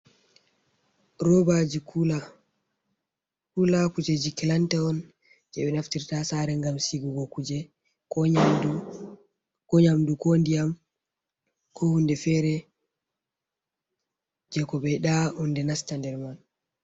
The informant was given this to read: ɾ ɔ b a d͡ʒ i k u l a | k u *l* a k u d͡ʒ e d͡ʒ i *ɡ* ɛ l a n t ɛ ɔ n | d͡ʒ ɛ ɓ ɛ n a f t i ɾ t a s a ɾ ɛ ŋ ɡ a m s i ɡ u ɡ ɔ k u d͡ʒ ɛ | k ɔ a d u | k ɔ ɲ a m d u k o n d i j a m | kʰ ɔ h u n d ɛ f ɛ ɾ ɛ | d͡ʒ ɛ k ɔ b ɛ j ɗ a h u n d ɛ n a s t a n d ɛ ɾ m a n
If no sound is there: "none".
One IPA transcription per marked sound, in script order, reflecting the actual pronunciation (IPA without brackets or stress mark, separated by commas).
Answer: l, k